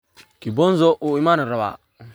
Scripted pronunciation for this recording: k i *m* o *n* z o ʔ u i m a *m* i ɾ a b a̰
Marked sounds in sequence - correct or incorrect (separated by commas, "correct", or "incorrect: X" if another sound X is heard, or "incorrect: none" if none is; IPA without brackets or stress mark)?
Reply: incorrect: b, correct, incorrect: n